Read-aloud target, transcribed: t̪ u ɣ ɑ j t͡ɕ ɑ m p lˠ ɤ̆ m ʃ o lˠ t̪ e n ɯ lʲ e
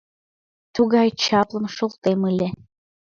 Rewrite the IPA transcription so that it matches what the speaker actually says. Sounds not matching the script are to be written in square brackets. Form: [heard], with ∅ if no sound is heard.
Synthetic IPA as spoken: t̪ u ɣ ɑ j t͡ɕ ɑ [∅] p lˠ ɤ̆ m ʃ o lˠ t̪ e [m] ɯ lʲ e